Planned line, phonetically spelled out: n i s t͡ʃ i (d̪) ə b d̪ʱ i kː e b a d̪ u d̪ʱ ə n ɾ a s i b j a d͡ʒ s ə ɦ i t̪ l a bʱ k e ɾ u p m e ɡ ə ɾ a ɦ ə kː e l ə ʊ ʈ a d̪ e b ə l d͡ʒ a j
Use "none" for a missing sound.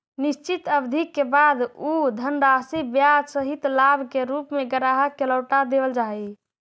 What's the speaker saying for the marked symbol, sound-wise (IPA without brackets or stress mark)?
t̪